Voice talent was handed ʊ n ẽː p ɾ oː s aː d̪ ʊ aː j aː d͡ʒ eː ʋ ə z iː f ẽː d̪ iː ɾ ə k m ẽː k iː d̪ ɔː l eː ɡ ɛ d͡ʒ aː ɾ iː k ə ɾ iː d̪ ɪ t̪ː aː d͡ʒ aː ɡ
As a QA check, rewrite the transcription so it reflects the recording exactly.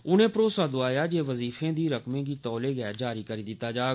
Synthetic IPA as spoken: ʊ n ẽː p ɾ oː s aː d̪ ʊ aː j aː d͡ʒ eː ʋ ə z iː f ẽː d̪ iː ɾ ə k m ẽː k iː t̪ ɔː l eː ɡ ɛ d͡ʒ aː ɾ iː k ə ɾ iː d̪ ɪ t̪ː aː d͡ʒ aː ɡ